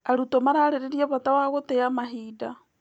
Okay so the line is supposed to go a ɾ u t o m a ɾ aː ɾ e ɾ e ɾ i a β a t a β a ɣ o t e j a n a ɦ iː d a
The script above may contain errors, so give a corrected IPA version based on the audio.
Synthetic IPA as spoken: a ɾ u t o m a ɾ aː ɾ e ɾ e ɾ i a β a t a w a ɣ o t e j a m a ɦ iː d a